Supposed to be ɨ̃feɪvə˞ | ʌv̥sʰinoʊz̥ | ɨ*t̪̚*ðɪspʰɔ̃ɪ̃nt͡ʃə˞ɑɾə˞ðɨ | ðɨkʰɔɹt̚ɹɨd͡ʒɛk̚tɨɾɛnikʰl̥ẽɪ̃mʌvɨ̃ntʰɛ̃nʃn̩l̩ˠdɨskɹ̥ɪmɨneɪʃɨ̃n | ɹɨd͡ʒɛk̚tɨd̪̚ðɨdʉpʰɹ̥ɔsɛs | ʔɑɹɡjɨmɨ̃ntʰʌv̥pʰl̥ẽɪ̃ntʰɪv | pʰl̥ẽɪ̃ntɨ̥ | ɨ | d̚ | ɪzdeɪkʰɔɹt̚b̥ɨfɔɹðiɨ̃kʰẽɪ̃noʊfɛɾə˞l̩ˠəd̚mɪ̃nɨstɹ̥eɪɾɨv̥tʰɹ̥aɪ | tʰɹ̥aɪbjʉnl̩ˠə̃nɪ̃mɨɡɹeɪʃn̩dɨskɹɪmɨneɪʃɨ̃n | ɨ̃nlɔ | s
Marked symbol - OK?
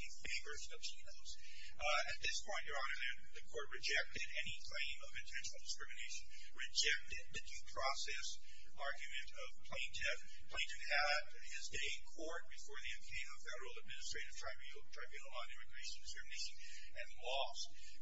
yes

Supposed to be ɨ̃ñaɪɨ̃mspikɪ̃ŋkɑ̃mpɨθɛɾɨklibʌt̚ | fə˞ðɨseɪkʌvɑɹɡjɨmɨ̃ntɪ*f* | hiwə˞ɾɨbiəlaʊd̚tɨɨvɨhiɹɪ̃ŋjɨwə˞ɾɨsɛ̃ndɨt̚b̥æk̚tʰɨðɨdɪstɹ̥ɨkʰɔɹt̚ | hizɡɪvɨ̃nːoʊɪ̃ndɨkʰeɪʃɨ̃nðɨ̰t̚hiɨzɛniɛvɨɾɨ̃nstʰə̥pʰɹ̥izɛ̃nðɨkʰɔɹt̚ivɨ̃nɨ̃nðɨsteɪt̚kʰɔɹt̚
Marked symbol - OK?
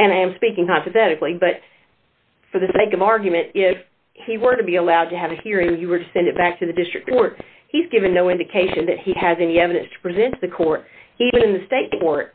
yes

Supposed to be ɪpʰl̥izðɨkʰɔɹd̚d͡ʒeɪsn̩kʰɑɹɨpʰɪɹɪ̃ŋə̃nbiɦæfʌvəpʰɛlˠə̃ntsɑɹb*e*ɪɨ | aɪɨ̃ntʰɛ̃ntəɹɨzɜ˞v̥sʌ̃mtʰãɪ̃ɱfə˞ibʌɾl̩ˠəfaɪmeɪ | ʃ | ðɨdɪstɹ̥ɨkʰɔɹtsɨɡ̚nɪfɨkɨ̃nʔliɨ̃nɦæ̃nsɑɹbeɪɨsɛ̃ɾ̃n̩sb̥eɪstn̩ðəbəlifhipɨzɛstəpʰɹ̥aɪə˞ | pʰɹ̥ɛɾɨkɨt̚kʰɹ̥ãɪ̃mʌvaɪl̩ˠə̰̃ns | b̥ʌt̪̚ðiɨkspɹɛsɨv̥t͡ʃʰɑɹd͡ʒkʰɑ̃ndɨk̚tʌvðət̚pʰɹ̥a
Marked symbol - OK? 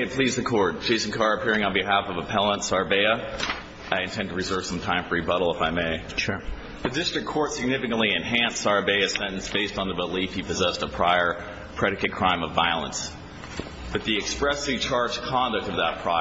yes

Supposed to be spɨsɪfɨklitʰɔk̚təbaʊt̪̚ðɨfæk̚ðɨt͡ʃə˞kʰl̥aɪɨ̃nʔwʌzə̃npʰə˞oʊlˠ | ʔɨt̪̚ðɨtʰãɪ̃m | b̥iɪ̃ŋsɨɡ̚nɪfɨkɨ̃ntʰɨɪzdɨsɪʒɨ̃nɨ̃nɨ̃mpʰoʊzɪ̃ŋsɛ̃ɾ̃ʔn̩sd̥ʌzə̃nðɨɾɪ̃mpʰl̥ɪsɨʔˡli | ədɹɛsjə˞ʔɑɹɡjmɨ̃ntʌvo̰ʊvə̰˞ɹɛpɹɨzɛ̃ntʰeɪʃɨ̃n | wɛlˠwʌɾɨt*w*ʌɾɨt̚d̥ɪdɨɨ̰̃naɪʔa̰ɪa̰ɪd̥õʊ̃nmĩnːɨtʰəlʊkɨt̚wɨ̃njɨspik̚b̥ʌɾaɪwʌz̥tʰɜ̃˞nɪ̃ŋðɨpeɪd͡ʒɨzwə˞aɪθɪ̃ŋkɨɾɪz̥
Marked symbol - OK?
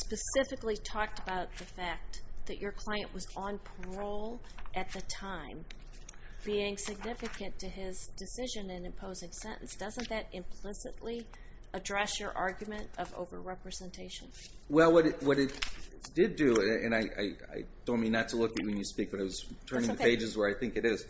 yes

